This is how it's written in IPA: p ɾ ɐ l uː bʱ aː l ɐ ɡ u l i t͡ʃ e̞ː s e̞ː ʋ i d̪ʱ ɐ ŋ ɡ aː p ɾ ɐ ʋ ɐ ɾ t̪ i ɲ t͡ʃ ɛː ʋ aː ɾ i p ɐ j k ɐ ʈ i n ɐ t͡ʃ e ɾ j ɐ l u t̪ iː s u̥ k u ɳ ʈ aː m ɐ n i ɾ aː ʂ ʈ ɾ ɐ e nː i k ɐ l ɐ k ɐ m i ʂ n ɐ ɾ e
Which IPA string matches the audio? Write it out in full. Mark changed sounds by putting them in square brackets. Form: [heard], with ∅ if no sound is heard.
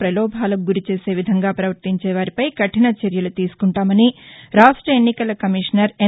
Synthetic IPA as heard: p ɾ ɐ l [ɔː] bʱ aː l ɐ ɡ u [ɾ] i t͡ʃ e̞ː s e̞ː ʋ i d̪ʱ ɐ ŋ ɡ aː p ɾ ɐ ʋ ɐ ɾ t̪ i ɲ t͡ʃ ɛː ʋ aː ɾ i p ɐ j k ɐ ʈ i n ɐ t͡ʃ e ɾ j ɐ l u t̪ iː s u̥ k u ɳ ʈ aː m ɐ n i ɾ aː ʂ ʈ ɾ ɐ e nː i k ɐ l ɐ k ɐ m i ʂ n ɐ ɾ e